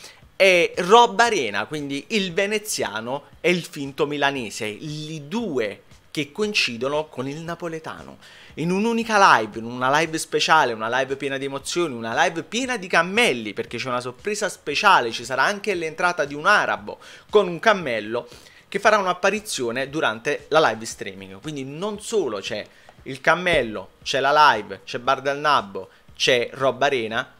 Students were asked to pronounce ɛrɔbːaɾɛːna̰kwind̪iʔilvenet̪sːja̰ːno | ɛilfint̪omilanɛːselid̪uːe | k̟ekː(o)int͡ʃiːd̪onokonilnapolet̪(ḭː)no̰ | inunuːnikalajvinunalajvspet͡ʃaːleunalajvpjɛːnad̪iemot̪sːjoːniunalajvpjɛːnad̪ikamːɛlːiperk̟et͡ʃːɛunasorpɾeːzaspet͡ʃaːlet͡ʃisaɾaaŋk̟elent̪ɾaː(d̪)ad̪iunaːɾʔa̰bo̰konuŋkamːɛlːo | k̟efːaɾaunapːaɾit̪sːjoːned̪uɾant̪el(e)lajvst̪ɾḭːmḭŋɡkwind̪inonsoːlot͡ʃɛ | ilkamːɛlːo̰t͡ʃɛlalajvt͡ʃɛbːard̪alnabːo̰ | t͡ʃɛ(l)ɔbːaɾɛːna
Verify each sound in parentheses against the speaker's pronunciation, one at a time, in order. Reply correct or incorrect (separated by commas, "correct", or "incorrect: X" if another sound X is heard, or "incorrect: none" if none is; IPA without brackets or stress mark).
correct, incorrect: a̰ː, incorrect: t̪, incorrect: a, incorrect: r